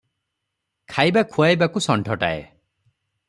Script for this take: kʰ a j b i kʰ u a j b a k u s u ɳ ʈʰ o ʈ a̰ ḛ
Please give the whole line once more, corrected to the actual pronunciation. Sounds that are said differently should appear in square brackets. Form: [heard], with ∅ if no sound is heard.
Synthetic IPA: kʰ a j b [a] kʰ u a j b a k u s [ɔ] ɳ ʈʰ [ɔ] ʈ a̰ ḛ